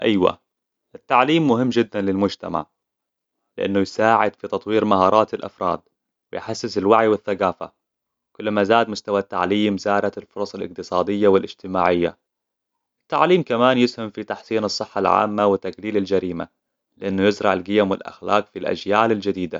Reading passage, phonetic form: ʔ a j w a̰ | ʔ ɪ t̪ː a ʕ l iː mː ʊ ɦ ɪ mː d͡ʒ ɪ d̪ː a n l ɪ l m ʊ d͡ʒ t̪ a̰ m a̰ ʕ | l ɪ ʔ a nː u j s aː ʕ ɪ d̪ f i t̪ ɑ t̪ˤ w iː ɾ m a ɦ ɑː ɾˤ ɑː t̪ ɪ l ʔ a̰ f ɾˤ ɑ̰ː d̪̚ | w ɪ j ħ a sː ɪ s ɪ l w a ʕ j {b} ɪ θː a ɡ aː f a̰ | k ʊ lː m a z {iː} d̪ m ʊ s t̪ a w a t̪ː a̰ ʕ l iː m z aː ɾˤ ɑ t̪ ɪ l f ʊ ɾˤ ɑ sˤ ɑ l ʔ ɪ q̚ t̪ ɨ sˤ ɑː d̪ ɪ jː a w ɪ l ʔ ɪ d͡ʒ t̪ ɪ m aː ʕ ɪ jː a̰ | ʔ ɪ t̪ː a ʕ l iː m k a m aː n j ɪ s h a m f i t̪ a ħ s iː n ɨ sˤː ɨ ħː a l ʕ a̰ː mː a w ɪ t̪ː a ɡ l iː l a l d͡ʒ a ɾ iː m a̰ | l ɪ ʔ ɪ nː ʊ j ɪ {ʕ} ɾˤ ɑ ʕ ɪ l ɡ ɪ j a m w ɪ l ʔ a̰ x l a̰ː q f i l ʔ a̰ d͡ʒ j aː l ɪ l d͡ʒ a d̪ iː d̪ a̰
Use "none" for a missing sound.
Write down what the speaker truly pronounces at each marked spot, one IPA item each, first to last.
w, aː, z

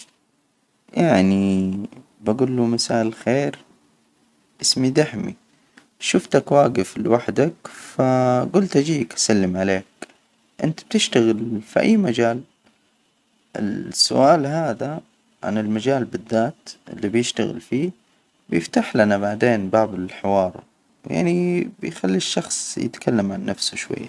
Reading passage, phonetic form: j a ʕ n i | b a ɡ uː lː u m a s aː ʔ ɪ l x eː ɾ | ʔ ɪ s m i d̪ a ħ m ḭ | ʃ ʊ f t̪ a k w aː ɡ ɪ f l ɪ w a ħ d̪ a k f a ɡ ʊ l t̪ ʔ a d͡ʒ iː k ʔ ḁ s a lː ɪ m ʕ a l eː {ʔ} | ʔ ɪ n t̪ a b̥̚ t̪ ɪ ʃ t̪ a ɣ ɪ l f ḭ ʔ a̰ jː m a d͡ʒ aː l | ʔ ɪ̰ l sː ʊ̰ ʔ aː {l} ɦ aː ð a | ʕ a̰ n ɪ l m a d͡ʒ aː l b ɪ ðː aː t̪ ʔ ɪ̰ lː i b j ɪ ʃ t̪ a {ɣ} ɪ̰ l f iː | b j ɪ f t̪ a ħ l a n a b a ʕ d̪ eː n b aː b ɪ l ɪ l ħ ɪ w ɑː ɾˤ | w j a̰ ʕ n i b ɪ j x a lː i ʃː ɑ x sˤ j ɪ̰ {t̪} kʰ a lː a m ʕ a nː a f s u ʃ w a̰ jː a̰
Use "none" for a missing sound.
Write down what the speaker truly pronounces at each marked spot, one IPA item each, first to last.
k, l, ɣ, t̪

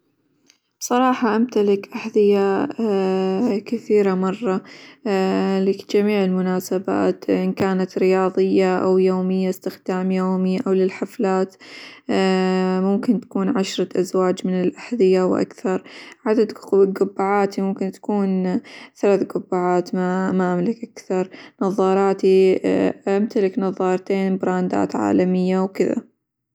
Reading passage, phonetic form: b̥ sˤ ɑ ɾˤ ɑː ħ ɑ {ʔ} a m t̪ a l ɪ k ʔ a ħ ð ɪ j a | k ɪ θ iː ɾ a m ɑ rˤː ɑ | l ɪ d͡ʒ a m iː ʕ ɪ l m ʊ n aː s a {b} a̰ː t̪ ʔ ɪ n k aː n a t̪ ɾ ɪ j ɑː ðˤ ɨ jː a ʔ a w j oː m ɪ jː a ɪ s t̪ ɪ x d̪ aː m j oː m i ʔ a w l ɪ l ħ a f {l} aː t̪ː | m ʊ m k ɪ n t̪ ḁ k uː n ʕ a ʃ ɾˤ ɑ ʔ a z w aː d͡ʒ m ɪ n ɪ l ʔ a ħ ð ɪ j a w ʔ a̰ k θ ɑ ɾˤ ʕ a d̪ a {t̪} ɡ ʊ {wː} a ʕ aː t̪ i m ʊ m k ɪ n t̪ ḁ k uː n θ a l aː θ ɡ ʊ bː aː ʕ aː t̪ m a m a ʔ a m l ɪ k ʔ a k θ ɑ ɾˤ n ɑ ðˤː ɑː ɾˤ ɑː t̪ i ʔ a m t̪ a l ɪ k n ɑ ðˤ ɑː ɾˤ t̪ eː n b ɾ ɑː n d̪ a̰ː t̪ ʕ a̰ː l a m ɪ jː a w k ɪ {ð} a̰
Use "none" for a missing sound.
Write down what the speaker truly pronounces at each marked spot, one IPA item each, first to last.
ʔ, b, l, d̪, bː, ð

